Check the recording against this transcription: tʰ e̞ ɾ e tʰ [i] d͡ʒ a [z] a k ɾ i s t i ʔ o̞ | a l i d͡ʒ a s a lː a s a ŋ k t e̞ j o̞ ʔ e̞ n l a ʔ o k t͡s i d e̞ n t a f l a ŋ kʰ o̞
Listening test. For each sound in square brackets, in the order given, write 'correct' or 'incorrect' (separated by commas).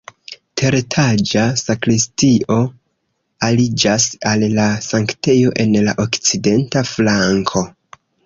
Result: incorrect, incorrect